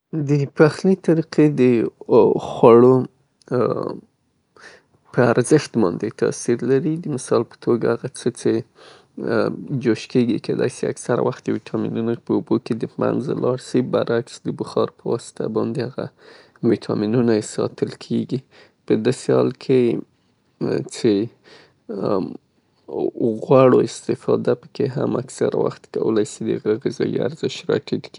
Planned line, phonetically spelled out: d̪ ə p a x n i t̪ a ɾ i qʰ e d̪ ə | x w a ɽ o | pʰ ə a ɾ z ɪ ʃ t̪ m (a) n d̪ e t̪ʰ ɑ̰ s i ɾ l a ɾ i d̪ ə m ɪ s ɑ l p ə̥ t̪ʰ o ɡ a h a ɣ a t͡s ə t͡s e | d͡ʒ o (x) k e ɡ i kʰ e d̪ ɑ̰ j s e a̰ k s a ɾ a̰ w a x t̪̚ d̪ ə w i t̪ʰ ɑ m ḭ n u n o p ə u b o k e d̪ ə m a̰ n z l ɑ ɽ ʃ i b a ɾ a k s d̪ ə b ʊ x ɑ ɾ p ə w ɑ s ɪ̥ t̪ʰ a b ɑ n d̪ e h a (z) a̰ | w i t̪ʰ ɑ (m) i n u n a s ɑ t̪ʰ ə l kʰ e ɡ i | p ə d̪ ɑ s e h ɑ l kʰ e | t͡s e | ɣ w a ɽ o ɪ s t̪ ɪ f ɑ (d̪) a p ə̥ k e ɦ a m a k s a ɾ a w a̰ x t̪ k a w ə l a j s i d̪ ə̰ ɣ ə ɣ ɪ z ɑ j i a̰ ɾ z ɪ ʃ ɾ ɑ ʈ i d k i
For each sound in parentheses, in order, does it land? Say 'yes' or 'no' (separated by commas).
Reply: no, no, no, yes, yes